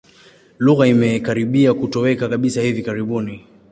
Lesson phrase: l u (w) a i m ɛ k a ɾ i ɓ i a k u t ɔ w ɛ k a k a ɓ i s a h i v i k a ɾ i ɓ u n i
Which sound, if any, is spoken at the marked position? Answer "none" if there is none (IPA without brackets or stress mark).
ɣ